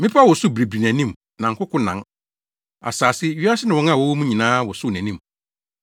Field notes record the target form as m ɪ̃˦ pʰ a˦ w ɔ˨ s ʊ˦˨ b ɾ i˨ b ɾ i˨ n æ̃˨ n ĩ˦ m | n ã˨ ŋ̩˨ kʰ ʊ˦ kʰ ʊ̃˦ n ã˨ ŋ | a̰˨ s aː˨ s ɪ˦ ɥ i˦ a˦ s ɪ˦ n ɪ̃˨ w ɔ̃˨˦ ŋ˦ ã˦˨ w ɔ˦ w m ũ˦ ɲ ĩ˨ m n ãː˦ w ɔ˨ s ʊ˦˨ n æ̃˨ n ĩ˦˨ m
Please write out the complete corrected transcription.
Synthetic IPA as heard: m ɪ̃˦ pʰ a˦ w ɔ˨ s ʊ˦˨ b ɾ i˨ b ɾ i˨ n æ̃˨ n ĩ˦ m | n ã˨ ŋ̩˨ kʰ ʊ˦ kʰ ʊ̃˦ n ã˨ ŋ | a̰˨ s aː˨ s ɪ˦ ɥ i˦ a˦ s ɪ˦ n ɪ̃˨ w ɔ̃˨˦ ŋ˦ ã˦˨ w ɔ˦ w m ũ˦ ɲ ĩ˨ n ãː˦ w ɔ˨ s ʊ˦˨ n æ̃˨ n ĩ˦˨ m